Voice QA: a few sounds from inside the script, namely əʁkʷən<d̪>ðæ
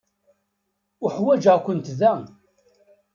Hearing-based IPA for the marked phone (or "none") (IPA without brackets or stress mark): t̪